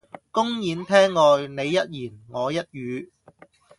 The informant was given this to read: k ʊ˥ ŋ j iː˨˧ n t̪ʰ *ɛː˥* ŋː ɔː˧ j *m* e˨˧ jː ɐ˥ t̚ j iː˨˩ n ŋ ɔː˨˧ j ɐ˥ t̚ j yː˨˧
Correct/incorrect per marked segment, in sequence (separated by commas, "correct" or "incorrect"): correct, incorrect